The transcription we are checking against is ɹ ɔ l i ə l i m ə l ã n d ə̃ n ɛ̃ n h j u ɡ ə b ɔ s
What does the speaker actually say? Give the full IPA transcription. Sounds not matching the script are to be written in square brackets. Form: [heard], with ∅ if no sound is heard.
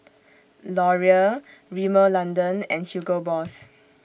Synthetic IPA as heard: [l] ɔ [ɹ] i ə [ɹ] i m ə l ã n d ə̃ n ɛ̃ n h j u ɡ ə b ɔ s

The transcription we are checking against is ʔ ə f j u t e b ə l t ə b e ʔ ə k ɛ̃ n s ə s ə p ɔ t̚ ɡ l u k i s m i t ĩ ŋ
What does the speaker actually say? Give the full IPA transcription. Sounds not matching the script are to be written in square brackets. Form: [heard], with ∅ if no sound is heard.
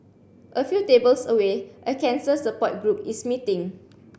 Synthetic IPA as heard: ʔ ə f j u t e b ə l [s] ə [w] e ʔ ə k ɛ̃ n s ə s ə p ɔ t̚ ɡ [ɹ] u [p] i s m i t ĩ ŋ

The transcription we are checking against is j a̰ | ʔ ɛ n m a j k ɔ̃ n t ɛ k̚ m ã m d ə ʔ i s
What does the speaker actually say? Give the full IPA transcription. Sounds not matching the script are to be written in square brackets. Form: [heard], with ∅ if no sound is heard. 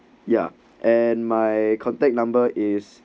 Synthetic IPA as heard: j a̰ | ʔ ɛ n m a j [kʰ] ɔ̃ n t ɛ k̚ [n] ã m [b] ə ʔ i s

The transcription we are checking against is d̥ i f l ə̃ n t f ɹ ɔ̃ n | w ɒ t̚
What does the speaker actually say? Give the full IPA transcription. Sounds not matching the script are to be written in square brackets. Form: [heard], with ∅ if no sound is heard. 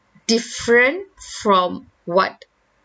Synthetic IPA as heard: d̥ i f [ɹ] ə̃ n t f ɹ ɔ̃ [m] | w [ɔ] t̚

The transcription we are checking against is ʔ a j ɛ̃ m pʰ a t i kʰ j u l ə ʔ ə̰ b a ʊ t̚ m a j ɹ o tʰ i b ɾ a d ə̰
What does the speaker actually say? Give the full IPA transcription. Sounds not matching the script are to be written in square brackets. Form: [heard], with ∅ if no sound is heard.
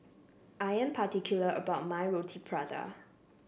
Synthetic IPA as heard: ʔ a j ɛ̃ m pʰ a t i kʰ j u l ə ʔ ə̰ b a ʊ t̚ m a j ɹ o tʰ i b [ɹ] a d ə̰

